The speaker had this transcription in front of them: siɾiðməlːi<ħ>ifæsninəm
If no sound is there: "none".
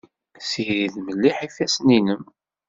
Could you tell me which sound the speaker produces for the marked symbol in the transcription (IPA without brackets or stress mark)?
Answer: ħ